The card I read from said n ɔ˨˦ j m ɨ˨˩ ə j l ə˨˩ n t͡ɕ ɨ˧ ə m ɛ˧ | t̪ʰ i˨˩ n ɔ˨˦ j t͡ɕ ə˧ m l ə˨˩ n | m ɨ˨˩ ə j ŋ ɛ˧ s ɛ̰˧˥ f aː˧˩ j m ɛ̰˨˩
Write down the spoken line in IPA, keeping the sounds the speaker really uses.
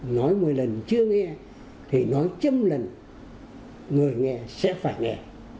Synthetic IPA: n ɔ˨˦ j m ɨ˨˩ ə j l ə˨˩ n t͡ɕ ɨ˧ ə ŋ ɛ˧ | t̪ʰ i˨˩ n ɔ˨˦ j t͡ɕ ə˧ m l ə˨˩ n | ŋ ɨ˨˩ ə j ŋ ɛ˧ s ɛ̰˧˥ f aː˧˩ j ŋ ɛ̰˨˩